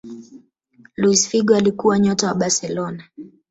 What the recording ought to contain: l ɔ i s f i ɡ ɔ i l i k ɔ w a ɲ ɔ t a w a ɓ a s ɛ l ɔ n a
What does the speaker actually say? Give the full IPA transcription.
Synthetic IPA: l u i s f i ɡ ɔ a l i k u w a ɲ ɔ t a w a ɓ a s ɛ l ɔ n a